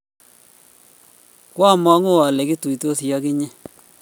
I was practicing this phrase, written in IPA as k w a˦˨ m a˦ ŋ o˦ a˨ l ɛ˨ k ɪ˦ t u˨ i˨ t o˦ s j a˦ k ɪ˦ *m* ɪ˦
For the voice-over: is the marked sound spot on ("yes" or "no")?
no